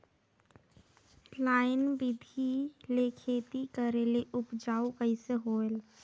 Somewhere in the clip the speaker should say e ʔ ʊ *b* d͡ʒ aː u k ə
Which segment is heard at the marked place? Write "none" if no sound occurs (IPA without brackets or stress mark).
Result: p